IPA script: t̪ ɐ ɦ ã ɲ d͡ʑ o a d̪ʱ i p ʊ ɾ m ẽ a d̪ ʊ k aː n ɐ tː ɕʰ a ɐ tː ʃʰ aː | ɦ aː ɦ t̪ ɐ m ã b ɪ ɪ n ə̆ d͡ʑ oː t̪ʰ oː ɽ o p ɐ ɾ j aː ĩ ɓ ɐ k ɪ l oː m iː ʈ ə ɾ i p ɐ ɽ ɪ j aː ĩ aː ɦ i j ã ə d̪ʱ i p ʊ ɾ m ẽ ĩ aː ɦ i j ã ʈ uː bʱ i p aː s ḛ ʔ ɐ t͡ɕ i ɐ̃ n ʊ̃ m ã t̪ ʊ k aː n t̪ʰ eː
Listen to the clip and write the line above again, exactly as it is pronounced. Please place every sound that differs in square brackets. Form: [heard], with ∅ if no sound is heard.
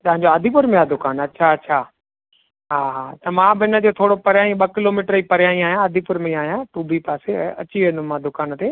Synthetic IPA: t̪ ɐ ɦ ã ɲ d͡ʑ o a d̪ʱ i p ʊ ɾ m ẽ a d̪ ʊ k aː n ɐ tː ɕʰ a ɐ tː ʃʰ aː | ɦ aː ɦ t̪ ɐ m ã b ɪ ɪ n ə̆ d͡ʑ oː t̪ʰ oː ɽ o p ɐ ɾ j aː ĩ ɓ ɐ k ɪ l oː m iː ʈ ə ɾ i p ɐ [ɾ] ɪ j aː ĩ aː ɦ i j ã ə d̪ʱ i p ʊ ɾ m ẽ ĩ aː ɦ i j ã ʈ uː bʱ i p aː s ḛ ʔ ɐ t͡ɕ i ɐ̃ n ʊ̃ m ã [d̪] ʊ k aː n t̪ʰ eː